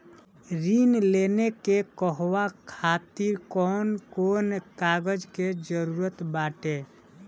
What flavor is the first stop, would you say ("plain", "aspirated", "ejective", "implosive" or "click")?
plain